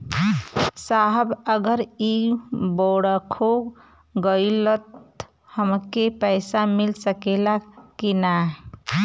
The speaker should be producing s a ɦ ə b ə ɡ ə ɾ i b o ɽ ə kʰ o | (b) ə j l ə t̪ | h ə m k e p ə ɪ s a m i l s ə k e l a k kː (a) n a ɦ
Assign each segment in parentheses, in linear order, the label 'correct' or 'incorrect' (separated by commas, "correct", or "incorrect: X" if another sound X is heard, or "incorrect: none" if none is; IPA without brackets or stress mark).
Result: incorrect: ɡ, incorrect: i